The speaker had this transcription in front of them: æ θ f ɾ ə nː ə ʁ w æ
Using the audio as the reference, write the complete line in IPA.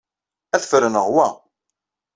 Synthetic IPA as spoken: æ θ f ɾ ə n ə ʁ w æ